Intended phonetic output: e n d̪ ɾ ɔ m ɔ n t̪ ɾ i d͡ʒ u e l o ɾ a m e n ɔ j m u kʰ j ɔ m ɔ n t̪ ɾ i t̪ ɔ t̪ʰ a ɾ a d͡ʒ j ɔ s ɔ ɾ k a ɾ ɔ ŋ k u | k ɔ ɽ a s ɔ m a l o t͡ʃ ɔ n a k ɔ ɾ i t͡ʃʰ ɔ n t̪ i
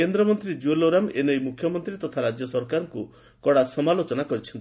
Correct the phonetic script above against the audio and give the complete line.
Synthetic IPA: e n d̪ ɾ ɔ m ɔ n t̪ ɾ i d͡ʒ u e l o ɾ a m e n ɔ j m u kʰ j ɔ m ɔ n t̪ ɾ i t̪ ɔ t̪ʰ a ɾ a d͡ʒ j ɔ s ɔ ɾ k a ɾ ɔ ŋ k u | k ɔ ɽ a s ɔ m a l o t͡ʃ ɔ n a k ɔ ɾ i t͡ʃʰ ɔ n t̪ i

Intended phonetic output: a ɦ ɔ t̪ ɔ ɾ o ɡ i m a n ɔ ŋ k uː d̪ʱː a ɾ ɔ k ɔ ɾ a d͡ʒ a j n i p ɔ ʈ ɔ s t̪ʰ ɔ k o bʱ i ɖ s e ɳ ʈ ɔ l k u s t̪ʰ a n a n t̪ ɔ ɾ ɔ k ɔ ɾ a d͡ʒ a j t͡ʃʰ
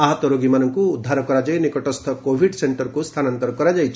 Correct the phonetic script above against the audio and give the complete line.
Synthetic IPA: a ɦ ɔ t̪ ɔ ɾ o ɡ i m a n ɔ ŋ k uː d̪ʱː a ɾ ɔ k ɔ ɾ a d͡ʒ a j n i k ɔ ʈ ɔ s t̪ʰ ɔ k o bʱ i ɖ s e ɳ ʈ ɔ ɾ k u s t̪ʰ a n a n t̪ ɔ ɾ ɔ k ɔ ɾ a d͡ʒ a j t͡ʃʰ

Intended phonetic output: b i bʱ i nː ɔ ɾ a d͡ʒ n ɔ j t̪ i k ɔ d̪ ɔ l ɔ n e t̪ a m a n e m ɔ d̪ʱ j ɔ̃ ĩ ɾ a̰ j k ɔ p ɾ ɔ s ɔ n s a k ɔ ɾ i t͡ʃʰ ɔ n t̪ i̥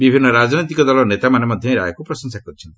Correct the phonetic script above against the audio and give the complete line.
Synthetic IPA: b i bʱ i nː ɔ ɾ a d͡ʒ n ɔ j t̪ i k ɔ d̪ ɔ l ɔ n e t̪ a m a n e m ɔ d̪ʱ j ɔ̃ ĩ ɾ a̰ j k u p ɾ ɔ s ɔ ŋ s a k ɔ ɾ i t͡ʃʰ ɔ n t̪ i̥

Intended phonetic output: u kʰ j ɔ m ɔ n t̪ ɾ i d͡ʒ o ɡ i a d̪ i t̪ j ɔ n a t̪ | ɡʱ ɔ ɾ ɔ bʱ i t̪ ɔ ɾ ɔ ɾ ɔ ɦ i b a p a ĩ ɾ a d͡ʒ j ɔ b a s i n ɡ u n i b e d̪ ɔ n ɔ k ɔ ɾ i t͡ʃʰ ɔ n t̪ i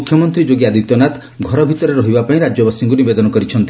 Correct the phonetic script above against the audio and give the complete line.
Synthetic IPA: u kʰ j ɔ m ɔ n t̪ ɾ i d͡ʒ o ɡ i a d̪ i t̪ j ɔ n a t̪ | ɡʱ ɔ ɾ ɔ bʱ i t̪ ɔ ɾ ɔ ɾ ɔ ɦ i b a p a ĩ ɾ a d͡ʒ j ɔ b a s i ŋ ɡ u n i b e d̪ ɔ n ɔ k ɔ ɾ i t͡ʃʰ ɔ n t̪ i

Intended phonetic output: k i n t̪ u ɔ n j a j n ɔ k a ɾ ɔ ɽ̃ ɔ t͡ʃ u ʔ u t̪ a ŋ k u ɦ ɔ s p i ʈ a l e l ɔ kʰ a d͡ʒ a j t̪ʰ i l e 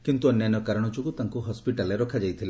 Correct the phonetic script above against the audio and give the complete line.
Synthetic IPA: k i n t̪ u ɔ n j a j n ɔ k a ɾ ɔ ɽ̃ ɔ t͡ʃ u k u t̪ a ŋ k u ɦ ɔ s p i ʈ a l e ɾ ɔ kʰ a d͡ʒ a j t̪ʰ i l e

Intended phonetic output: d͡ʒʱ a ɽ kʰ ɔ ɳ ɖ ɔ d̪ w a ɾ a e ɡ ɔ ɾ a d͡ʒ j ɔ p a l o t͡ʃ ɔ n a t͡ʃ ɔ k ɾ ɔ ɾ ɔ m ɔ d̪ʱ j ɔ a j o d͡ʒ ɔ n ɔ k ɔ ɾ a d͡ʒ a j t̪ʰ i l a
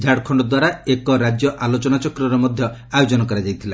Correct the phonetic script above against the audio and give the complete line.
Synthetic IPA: d͡ʒʱ a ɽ kʰ ɔ ɳ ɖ ɔ d̪ w a ɾ a e k ɔ ɾ a d͡ʒ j ɔ ʔ a l o t͡ʃ ɔ n a t͡ʃ ɔ k ɾ ɔ ɾ ɔ m ɔ d̪ʱ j ɔ a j o d͡ʒ ɔ n ɔ k ɔ ɾ a d͡ʒ a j t̪ʰ i l a

